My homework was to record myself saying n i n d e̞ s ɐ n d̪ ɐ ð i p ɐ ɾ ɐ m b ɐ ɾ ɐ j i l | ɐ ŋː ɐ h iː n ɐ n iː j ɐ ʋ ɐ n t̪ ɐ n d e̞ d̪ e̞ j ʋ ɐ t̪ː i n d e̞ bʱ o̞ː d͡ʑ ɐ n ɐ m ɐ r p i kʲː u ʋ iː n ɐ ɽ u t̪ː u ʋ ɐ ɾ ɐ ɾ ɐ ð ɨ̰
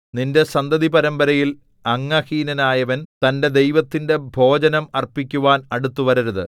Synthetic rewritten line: n i n d e̞ s ɐ n d̪ ɐ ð i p ɐ ɾ ɐ m b ɐ ɾ ɐ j i l | ɐ ŋː ɐ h iː n ɐ n aː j ɐ ʋ ɐ n t̪ ɐ n d e̞ d̪ e̞ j ʋ ɐ t̪ː i n d e̞ bʱ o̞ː d͡ʑ ɐ n ɐ m ɐ r p i kʲː u ʋ aː n ɐ ɽ u t̪ː u ʋ ɐ ɾ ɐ ɾ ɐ ð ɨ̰